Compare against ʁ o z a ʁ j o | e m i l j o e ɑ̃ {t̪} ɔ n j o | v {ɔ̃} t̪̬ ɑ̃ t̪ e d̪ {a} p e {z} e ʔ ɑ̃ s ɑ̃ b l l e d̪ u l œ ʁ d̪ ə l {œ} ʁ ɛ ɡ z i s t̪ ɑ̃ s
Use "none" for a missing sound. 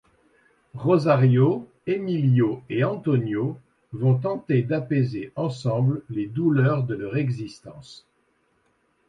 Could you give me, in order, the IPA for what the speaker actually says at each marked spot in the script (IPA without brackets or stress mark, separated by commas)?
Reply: t̪, ɔ̃, a, z, œ